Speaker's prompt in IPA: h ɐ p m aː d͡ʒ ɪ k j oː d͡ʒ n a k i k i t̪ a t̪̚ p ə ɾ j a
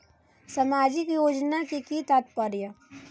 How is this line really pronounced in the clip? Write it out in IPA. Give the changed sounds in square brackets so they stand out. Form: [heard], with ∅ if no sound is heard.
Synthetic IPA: [s] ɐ [∅] m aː d͡ʒ ɪ k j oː d͡ʒ n a k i k i t̪ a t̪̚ p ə ɾ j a

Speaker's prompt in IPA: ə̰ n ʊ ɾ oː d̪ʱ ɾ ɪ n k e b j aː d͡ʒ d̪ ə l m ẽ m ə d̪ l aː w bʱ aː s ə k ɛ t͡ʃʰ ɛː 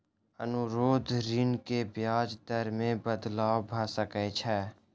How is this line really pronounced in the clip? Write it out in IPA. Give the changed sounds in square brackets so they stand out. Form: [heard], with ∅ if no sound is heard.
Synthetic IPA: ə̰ n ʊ ɾ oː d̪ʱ ɾ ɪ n k e b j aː d͡ʒ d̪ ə [ɾ] m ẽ [b] ə d̪ l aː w bʱ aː s ə k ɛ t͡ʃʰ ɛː

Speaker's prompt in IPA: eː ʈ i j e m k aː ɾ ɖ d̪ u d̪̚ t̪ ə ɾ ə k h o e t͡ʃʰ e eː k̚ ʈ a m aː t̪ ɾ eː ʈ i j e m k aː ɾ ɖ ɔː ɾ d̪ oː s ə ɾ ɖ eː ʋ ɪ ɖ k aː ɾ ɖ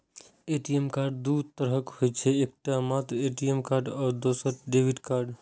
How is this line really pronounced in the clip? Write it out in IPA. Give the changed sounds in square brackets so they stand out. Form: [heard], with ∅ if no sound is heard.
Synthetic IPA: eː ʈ i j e m k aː ɾ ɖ d̪ u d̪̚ t̪ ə ɾ ə k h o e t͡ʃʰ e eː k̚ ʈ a m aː t̪ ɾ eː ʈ i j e m k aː ɾ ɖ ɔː ɾ d̪ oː s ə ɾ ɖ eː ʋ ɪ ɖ k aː ɾ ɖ

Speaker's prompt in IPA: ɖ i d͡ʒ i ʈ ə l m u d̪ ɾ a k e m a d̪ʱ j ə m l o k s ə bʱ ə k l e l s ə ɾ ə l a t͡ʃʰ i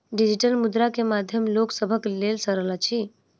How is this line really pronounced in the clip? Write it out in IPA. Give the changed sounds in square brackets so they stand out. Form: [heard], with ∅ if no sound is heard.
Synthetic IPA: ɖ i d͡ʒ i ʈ ə l m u d̪ ɾ a k e m a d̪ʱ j ə m l o k s ə bʱ ə k l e l s ə ɾ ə l a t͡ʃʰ i

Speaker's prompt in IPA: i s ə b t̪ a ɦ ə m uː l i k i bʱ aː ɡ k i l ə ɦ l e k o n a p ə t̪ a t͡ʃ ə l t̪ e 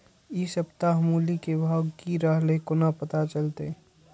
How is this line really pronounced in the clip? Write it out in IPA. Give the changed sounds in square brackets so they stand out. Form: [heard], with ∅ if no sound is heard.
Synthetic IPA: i s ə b t̪ a ɦ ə m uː l i k [e] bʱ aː ɡ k i [ɾ] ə ɦ l e k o n a p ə t̪ a t͡ʃ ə l t̪ e

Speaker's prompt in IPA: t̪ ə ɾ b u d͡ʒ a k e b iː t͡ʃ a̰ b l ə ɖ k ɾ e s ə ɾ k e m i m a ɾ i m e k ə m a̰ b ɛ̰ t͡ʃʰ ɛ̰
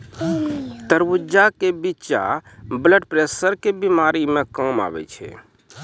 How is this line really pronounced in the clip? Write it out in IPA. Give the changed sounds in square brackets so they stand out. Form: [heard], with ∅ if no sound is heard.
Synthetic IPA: t̪ ə ɾ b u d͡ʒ a k e b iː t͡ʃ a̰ b l ə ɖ [p] ɾ e s ə ɾ k e [b] i m a ɾ i m e k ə m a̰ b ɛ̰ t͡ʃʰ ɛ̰

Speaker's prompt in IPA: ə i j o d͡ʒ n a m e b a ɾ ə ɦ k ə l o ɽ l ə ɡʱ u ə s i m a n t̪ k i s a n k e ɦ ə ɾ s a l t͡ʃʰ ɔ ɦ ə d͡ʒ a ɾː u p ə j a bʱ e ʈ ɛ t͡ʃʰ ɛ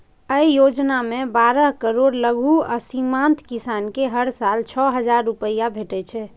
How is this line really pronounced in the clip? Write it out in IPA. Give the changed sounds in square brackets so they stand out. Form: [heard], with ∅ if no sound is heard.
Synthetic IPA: ə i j o d͡ʒ n a m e b a ɾ ə ɦ k ə [ɾ] o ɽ l ə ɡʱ u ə s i m a n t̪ k i s a n k e ɦ ə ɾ s a l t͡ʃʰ ɔ ɦ ə d͡ʒ a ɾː u p ə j a bʱ e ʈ ɛ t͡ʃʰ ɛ

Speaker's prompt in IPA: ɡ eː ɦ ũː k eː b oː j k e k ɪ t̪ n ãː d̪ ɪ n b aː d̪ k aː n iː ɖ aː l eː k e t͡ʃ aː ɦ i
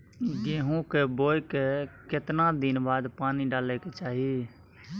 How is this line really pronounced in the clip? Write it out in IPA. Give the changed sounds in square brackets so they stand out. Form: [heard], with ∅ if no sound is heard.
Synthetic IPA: ɡ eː ɦ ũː k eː b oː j k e k ɪ t̪ n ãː d̪ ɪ n b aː d̪ [p] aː n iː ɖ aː l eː k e t͡ʃ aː ɦ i

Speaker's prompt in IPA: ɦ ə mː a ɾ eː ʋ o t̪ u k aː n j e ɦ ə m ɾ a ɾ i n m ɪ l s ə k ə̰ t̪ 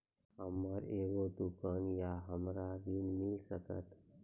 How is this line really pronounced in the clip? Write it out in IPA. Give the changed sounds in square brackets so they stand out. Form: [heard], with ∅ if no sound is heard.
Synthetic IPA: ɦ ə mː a ɾ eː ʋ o [d̪] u k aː n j [a] ɦ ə m ɾ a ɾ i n m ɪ l s ə k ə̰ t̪

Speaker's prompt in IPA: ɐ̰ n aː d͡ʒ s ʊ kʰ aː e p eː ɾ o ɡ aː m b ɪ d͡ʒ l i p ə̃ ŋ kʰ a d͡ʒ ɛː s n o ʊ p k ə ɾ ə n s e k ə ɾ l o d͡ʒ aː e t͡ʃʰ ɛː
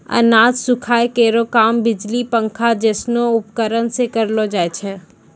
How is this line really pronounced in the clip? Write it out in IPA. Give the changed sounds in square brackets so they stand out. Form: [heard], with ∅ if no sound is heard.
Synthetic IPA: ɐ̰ n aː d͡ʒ s ʊ kʰ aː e [k] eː ɾ o [k] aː m b ɪ d͡ʒ l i p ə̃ ŋ kʰ a d͡ʒ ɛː s n o ʊ p k ə ɾ ə n s e k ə ɾ l o d͡ʒ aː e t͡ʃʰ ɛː

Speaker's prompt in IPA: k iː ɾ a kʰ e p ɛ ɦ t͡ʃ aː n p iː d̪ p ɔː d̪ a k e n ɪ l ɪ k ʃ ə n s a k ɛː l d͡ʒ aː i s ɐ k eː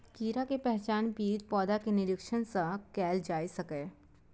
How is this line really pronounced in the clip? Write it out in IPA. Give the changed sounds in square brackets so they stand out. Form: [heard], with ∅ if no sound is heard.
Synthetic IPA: k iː ɾ a [k] e p ɛ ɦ t͡ʃ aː n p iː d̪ p ɔː d̪ a k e n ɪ [ɾ] ɪ k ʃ ə n s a k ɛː l d͡ʒ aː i s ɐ k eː

